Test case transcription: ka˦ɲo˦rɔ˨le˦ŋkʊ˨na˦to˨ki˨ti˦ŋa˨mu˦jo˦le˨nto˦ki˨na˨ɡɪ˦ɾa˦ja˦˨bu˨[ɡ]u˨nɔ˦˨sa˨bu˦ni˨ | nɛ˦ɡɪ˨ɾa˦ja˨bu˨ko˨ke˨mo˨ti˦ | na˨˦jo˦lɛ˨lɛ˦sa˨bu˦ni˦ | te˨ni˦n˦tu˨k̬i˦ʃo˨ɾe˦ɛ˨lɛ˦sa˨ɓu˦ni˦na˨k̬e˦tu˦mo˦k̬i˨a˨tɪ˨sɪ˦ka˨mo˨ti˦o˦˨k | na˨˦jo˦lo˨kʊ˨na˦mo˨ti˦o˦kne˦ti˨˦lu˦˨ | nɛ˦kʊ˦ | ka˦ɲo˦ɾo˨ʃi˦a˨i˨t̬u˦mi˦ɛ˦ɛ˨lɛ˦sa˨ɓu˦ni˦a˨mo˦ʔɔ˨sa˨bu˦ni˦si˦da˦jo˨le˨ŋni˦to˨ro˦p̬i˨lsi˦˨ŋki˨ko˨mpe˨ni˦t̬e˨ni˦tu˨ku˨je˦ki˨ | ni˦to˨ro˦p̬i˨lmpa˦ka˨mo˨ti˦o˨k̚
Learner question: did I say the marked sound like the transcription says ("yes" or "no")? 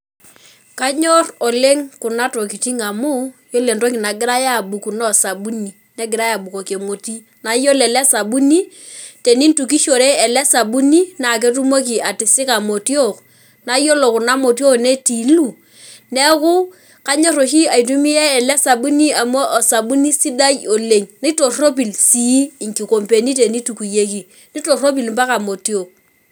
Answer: no